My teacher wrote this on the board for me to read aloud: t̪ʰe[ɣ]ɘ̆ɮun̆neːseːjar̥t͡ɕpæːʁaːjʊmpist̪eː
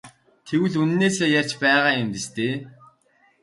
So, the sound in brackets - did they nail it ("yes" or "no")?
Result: no